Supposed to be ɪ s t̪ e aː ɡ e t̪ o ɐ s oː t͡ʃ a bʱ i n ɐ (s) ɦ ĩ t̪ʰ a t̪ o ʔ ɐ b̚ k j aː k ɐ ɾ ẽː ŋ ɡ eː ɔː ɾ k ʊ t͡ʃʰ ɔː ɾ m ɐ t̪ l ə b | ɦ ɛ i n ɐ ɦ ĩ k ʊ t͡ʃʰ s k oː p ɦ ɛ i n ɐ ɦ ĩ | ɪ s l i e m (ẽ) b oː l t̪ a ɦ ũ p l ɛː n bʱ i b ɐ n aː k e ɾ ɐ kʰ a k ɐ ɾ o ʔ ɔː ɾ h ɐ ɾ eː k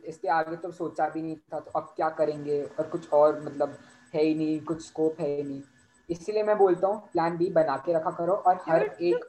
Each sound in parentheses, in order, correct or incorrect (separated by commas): incorrect, incorrect